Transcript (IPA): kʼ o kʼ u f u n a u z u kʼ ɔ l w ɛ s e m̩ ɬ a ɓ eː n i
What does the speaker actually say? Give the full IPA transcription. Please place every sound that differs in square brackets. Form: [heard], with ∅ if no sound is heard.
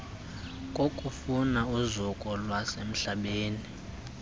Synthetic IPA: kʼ o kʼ u f u n a u z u kʼ ɔ l w [a] s e m̩ ɬ a ɓ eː n i